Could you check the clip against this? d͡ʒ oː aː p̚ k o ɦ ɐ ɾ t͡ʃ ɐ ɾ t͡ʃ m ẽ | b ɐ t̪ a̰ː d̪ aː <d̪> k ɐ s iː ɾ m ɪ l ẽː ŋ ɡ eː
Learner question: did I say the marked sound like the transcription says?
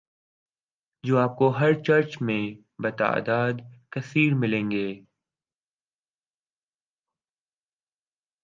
yes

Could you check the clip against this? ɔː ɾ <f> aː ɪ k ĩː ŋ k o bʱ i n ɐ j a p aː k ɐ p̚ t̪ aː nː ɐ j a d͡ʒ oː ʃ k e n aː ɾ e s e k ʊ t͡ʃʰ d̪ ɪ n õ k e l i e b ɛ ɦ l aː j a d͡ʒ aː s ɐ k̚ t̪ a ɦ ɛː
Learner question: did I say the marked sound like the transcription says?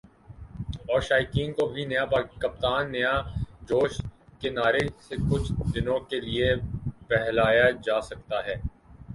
no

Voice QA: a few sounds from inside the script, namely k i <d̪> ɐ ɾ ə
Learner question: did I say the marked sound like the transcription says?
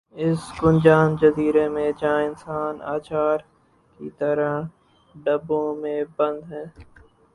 no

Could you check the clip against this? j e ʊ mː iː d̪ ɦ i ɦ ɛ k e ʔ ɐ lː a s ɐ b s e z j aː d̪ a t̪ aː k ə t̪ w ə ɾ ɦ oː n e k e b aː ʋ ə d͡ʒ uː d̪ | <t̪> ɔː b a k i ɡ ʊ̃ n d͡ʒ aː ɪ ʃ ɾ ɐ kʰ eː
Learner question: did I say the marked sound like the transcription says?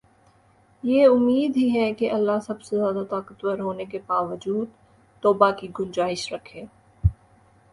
yes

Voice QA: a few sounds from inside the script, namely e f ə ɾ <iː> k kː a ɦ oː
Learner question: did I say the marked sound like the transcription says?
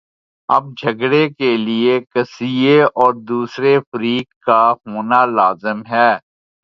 yes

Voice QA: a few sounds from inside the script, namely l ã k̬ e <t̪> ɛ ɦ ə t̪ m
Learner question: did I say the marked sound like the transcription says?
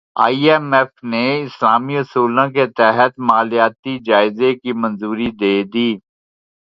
yes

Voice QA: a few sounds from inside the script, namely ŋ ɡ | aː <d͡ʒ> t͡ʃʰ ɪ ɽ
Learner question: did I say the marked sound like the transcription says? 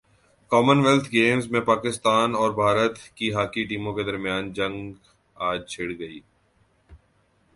yes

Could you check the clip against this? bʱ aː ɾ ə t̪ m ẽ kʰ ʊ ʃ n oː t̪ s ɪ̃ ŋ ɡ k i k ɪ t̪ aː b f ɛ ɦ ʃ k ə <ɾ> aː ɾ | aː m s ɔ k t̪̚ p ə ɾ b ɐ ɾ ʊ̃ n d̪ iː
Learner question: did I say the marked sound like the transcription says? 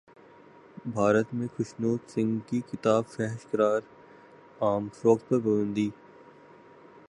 yes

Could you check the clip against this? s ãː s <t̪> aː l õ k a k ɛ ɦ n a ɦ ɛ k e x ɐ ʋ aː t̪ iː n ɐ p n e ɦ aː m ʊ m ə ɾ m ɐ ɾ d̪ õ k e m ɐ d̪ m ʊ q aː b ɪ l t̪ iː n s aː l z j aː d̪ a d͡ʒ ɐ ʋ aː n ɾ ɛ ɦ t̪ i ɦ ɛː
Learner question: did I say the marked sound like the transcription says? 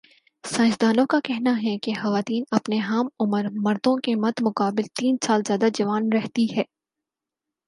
no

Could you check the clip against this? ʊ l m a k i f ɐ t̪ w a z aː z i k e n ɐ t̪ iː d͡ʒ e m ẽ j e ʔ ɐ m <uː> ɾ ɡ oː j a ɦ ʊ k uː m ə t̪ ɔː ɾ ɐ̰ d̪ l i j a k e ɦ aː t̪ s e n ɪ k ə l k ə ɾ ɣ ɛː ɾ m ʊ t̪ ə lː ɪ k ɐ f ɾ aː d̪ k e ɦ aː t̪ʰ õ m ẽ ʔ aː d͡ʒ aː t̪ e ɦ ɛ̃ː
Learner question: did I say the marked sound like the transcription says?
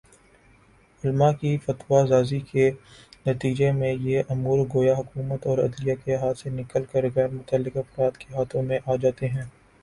yes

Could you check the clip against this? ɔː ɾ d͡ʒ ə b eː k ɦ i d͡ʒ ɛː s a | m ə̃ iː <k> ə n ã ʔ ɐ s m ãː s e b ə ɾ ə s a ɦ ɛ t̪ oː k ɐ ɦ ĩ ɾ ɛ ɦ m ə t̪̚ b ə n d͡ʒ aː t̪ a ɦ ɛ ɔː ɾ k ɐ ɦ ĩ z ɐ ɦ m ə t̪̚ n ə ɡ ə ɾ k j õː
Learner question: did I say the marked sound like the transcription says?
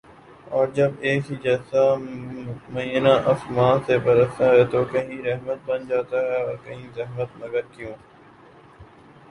no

